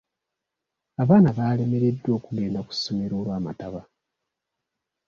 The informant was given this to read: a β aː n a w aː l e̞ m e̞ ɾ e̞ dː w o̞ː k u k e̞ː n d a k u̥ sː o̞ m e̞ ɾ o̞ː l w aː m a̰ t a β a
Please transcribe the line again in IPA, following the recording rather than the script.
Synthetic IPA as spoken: a β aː n a β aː l e̞ m e̞ ɾ e̞ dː w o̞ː k u ɡ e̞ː n d a k u̥ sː o̞ m e̞ ɾ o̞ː l w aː m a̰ t a β a